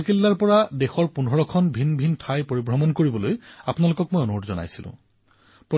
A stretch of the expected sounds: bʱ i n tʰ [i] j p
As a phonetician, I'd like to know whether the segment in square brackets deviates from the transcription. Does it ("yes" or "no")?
yes